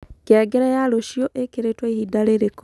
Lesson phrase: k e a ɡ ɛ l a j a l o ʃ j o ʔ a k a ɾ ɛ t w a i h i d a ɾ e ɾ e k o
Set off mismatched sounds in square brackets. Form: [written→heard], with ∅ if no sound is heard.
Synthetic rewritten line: k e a ɡ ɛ [l→ɾ] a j a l o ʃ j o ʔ [a→e] k [a→e] ɾ [ɛ→e] t w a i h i d a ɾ e ɾ e k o

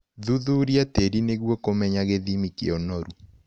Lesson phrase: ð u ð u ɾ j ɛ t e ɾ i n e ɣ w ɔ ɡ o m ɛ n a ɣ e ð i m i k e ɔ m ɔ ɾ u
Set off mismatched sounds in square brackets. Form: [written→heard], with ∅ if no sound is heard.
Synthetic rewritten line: ð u ð u ɾ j [ɛ→a] t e ɾ i n e ɣ w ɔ [ɡ→k] o m ɛ [n→ɲ] a ɣ e ð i m i k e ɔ [m→n] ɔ ɾ u

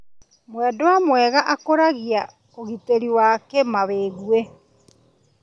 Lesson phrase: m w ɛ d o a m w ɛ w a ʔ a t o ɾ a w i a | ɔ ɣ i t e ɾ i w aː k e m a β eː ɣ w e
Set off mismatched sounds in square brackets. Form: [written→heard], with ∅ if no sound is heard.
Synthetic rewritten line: m w ɛ d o a m w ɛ [w→ɣ] a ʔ a [t→k] o ɾ a [w→ɣ] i a | [ɔ→o] ɣ i t e ɾ i w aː k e m a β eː ɣ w e

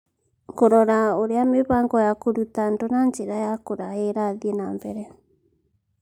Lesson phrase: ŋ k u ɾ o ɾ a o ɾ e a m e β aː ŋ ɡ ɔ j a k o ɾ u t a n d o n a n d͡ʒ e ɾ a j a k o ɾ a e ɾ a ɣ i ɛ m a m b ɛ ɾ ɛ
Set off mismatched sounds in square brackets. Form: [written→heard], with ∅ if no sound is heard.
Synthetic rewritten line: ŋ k [u→o] ɾ [o→ɔ] ɾ a o ɾ e a m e β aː ŋ ɡ ɔ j a k o ɾ u t a n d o n a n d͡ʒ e ɾ a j a k o ɾ a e ɾ a [ɣ→ð] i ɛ [m→n] a m b ɛ ɾ ɛ

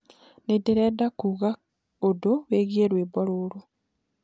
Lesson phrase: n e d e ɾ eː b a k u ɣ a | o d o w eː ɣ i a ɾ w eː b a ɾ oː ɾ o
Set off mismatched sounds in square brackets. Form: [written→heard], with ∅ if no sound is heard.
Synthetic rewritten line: n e d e ɾ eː [b→d] a k u ɣ a | o d o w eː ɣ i [a→e] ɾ w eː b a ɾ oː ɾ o

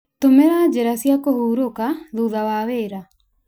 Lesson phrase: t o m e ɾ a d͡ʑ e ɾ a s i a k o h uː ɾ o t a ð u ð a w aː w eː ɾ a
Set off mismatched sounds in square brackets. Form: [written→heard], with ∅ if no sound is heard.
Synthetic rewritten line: t o m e ɾ a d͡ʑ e ɾ a s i a k o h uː ɾ o [t→k] a ð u ð a w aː w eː ɾ a

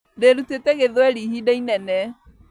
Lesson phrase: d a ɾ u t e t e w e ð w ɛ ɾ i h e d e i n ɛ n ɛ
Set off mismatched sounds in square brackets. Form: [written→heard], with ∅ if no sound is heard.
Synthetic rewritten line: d [a→e] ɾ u t e t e [w→ɣ] e ð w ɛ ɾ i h [e→i] d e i n ɛ n ɛ

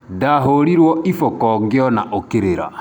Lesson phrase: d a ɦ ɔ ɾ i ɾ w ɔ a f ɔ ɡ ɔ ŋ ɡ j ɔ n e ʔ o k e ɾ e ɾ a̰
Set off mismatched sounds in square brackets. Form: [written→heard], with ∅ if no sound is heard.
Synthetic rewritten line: d a ɦ [ɔ→o] ɾ i ɾ w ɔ [a→i] f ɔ [ɡ→k] ɔ ŋ ɡ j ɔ n [e→a] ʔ o k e ɾ e ɾ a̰

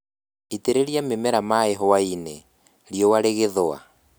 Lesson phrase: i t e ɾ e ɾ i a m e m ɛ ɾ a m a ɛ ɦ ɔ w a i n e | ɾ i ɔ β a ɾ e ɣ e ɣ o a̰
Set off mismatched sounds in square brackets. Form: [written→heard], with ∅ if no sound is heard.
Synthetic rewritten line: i t e ɾ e ɾ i a m e m ɛ ɾ a m a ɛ ɦ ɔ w a i n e | ɾ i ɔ [β→w] a ɾ e ɣ e [ɣ→ð] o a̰

